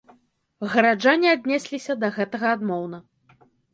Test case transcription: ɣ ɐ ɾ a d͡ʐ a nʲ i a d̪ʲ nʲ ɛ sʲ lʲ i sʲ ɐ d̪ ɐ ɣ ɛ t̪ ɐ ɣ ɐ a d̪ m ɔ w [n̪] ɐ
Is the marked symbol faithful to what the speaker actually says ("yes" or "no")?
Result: yes